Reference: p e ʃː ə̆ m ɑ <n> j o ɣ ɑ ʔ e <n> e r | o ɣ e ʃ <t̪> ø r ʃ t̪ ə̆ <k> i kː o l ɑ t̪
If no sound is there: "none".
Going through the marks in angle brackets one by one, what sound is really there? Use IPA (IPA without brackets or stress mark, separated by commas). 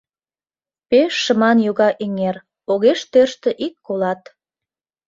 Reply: n, ŋ, t̪, ʔ